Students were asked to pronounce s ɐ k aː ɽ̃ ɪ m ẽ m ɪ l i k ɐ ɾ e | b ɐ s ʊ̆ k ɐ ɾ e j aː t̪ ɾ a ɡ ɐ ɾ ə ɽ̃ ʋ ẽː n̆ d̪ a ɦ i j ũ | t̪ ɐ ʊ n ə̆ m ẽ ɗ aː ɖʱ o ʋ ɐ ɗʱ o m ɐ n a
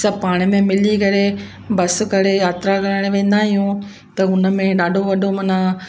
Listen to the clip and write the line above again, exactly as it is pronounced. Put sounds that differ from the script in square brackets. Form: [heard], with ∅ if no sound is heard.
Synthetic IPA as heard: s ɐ [p] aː ɽ̃ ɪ m ẽ m ɪ l i k ɐ ɾ e | b ɐ s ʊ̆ k ɐ ɾ e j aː t̪ ɾ a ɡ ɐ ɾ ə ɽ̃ ʋ ẽː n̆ d̪ a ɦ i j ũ | t̪ ɐ ʊ n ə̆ m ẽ ɗ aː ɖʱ o ʋ ɐ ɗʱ o m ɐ n a